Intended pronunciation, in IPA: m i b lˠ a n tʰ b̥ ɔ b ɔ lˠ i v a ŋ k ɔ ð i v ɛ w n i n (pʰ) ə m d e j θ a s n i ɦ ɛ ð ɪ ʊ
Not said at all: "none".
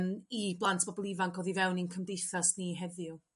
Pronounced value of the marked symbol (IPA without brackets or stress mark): kʰ